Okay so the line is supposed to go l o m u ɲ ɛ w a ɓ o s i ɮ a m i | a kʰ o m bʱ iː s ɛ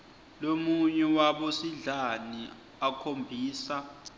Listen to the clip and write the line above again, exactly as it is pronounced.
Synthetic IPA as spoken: l o m u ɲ ɛ w a ɓ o s i ɮ a n i | a kʰ o m bʱ iː s a